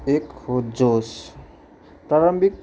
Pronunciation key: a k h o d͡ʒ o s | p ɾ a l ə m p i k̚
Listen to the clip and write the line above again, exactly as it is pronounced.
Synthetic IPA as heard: e k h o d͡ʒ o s | p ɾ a ɾ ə m b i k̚

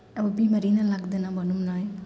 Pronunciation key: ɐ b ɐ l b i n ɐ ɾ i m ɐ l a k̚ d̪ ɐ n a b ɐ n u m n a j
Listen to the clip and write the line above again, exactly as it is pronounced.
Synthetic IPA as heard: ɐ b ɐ b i m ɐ ɾ i n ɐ l a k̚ d̪ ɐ n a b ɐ n u m n a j

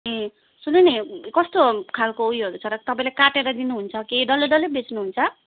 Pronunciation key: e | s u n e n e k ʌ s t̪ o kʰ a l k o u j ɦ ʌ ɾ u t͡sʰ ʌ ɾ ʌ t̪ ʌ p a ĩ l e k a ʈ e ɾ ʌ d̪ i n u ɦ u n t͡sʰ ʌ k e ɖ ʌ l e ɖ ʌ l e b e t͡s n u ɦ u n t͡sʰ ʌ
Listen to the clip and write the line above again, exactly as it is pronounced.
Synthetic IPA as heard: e | s u n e n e k ʌ s t̪ o kʰ a l k o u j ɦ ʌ ɾ u t͡sʰ ʌ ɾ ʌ t̪ ʌ p a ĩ l e k a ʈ e ɾ ʌ d̪ i n u ɦ u n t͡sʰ ʌ k e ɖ ʌ l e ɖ ʌ l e b e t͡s n u ɦ u n t͡sʰ ʌ

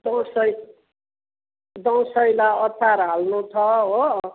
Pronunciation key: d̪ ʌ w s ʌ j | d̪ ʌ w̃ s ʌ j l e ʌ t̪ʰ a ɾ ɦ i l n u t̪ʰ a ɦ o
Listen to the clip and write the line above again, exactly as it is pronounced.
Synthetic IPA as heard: d̪ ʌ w s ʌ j | d̪ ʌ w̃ s ʌ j l a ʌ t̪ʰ a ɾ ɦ a l n u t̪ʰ ʌ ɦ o

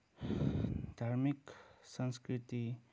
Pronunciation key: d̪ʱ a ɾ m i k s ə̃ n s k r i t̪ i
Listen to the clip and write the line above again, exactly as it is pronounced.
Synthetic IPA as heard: d̪ʱ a ɾ m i k s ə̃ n s k ɾ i t̪ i

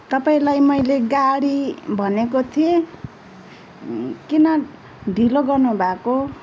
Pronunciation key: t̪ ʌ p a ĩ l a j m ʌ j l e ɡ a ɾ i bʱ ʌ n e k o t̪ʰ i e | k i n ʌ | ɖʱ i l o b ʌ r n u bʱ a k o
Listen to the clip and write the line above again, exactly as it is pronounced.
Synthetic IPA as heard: t̪ ʌ p a ĩ l a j m ʌ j l e ɡ a ɽ i bʱ ʌ n e k o t̪ʰ i e | k i n ʌ | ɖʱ i l o ɡ ʌ r n u bʱ a k o

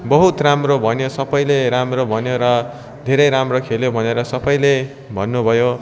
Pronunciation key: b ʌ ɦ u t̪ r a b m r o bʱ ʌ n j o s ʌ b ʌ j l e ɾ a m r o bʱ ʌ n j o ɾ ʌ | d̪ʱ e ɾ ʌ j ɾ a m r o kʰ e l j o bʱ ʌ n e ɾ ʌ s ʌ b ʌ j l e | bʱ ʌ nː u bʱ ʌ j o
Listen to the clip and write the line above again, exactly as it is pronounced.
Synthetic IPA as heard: b ʌ ɦ u t̪ r a m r o bʱ ʌ n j o s ʌ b ʌ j l e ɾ a m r o bʱ ʌ n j o ɾ ʌ | d̪ʱ e ɾ ʌ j ɾ a m r o kʰ e l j o bʱ ʌ n e ɾ ʌ s ʌ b ʌ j l e | bʱ ʌ nː u bʱ ʌ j o

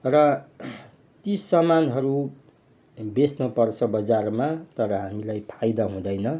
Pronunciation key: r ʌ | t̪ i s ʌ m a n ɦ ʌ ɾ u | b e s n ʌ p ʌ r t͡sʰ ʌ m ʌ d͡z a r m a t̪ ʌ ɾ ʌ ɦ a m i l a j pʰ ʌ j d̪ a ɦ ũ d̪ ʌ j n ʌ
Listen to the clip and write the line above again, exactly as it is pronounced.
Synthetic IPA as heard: r ʌ | t̪ i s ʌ m a n ɦ ʌ ɾ u | b e s n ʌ p ʌ r t͡sʰ ʌ b ʌ d͡z a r m a t̪ ʌ ɾ ʌ ɦ a m i l a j pʰ a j d̪ a ɦ ũ d̪ ʌ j n ʌ

